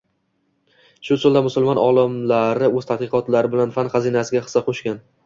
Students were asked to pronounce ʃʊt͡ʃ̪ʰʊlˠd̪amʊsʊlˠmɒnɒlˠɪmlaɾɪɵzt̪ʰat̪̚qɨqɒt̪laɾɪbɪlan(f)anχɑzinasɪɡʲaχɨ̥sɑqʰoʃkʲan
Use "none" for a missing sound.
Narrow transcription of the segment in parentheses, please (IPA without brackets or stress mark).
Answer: f